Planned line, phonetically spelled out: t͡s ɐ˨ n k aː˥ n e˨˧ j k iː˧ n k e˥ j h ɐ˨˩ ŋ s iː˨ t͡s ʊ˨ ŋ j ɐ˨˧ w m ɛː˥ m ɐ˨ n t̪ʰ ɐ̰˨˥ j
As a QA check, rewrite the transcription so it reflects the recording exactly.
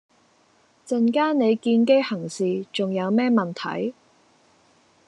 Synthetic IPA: t͡s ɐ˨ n k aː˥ n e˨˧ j k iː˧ n k e˥ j h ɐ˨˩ ŋ s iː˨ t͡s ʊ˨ ŋ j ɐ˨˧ w m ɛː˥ m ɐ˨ n t̪ʰ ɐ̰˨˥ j

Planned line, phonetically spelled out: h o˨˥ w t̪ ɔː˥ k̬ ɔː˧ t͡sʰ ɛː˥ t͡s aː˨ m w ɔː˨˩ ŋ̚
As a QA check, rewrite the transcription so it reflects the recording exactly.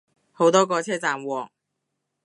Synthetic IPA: h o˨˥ w t̪ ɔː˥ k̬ ɔː˧ t͡sʰ ɛː˥ t͡s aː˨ m w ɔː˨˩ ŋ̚

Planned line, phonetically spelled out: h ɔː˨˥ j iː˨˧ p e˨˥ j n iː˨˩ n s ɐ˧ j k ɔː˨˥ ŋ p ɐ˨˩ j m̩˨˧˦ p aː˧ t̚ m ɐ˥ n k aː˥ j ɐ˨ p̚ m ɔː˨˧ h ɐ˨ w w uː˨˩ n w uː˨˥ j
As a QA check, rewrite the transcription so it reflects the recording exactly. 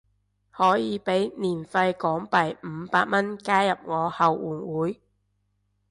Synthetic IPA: h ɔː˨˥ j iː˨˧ p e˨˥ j n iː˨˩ n f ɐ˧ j k ɔː˨˥ ŋ p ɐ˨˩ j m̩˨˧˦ p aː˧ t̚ m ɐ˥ n k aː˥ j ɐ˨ p̚ ŋ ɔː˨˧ h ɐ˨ w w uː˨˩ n w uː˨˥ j

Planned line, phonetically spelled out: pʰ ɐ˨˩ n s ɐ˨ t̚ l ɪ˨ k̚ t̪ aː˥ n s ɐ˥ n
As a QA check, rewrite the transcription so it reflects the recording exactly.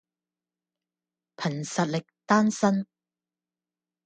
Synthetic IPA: pʰ ɐ˨˩ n s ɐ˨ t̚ l ɪ˨ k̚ t̪ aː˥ n s ɐ˥ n

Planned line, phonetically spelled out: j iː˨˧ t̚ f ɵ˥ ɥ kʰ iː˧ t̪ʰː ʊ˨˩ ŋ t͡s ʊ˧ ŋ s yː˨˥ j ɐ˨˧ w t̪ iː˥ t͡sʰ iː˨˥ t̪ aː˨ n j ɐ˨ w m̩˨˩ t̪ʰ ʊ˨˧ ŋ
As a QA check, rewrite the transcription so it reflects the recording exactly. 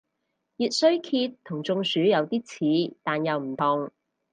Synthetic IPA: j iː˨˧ t̚ s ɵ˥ ɥ kʰ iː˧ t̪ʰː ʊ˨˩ ŋ t͡s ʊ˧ ŋ s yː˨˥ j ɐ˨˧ w t̪ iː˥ t͡sʰ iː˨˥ t̪ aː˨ n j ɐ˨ w m̩˨˩ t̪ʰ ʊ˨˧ ŋ

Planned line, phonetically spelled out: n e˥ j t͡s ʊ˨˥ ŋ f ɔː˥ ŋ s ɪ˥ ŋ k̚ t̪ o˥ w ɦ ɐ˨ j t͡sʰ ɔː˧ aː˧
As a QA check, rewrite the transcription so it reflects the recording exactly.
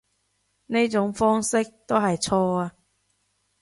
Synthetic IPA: n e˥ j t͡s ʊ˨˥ ŋ f ɔː˥ ŋ s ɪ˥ k̚ t̪ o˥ w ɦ ɐ˨ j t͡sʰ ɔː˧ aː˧

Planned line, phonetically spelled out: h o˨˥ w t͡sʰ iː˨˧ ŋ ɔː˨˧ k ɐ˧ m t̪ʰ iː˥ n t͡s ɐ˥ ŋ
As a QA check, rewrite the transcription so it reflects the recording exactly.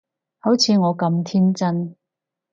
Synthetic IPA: h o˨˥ w t͡sʰ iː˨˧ ŋ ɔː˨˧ k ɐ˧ m t̪ʰ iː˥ n t͡s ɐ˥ n

